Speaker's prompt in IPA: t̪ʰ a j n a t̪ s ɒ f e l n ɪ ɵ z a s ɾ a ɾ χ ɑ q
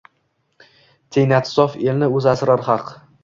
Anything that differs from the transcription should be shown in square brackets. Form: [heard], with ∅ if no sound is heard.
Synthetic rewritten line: t̪ʰ [e] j n a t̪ s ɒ f e l n ɪ ɵ z a s ɾ a ɾ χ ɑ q